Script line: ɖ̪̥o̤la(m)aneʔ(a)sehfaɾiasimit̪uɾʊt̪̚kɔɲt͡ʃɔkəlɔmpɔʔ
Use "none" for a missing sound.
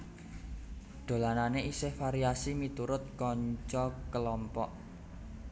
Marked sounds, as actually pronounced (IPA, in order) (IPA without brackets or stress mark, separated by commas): n, i